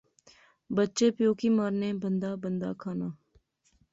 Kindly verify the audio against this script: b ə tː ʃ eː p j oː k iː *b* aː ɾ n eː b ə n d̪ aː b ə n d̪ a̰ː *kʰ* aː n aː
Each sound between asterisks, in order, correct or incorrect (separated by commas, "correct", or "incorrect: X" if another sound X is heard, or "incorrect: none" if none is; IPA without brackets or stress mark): incorrect: m, correct